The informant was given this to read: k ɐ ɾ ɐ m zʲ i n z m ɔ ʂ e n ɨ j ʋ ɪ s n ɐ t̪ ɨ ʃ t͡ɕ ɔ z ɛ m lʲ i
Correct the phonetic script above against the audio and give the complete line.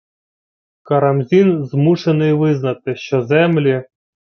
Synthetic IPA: k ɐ ɾ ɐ m zʲ i n z m u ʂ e n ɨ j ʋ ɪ z n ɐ t̪ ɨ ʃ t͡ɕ ɔ z ɛ m lʲ i